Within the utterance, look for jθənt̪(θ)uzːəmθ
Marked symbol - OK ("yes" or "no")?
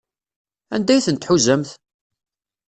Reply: no